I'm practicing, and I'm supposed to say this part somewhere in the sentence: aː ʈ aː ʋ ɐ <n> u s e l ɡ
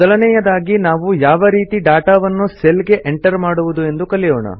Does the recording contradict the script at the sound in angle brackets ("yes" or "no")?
yes